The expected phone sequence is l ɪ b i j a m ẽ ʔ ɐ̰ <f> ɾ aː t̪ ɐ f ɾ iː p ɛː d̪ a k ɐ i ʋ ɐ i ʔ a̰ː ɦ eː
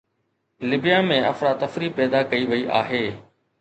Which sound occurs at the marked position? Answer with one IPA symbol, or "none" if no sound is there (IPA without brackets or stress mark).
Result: f